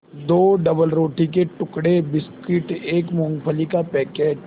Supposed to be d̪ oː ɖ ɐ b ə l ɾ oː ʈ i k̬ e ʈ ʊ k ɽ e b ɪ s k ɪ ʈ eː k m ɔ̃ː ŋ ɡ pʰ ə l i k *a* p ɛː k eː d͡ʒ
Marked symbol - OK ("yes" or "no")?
yes